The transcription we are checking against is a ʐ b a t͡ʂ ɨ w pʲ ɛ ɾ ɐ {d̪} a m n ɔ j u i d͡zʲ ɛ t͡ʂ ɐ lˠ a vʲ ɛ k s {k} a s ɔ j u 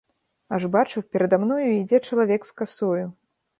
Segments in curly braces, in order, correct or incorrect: correct, correct

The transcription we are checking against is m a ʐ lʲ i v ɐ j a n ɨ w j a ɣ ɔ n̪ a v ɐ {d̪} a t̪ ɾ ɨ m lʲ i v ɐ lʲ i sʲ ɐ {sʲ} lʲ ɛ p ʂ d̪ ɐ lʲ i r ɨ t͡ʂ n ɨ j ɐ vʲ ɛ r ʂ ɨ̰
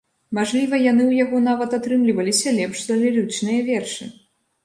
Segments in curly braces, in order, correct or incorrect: incorrect: t̪, incorrect: none

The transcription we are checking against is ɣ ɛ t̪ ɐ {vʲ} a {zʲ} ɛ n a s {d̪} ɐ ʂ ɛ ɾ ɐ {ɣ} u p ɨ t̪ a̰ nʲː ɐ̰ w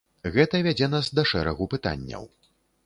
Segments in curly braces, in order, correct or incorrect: correct, incorrect: d͡zʲ, correct, correct

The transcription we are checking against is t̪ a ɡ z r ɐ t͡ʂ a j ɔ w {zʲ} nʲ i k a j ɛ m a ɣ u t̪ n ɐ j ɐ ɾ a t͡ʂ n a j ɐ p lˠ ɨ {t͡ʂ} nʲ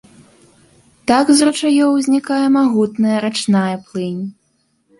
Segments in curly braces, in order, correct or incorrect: correct, incorrect: none

